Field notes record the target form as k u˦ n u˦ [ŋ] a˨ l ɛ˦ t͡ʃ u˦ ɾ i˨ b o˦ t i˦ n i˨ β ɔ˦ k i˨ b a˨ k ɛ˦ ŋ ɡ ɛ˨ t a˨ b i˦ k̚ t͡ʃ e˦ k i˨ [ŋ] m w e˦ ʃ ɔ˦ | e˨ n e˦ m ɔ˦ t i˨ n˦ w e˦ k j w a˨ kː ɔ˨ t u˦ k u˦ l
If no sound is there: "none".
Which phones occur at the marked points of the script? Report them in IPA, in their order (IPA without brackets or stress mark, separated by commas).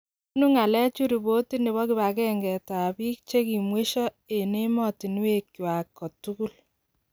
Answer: ŋ, none